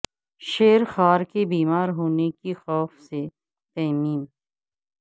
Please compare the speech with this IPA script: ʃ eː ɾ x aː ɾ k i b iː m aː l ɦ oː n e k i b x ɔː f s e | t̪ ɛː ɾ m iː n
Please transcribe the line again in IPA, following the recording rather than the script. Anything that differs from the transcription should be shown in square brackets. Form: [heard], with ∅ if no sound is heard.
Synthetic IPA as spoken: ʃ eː ɾ x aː ɾ k [e] b iː m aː [ɾ] ɦ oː n e k i [∅] x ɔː f s e | t̪ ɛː [∅] m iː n